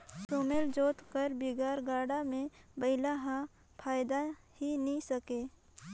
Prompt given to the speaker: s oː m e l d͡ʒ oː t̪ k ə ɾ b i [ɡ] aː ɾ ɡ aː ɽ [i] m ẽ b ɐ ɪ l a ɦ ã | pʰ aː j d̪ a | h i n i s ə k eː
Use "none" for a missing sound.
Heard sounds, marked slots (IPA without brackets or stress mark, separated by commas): ɡ, a